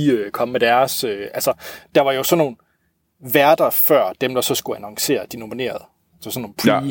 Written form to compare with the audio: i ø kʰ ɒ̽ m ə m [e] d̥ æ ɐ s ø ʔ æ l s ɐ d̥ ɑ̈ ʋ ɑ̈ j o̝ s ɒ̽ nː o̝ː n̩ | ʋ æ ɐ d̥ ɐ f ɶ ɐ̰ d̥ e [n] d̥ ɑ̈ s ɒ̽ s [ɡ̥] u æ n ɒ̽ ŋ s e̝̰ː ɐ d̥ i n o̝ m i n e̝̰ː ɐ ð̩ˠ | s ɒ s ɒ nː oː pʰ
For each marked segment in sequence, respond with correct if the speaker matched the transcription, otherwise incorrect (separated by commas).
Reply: correct, incorrect, correct